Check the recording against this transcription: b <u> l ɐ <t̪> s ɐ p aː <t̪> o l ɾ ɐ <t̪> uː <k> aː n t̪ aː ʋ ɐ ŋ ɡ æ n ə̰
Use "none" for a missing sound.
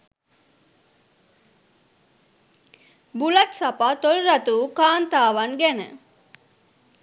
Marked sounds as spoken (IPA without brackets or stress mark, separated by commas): u, t̪, t̪, t̪, k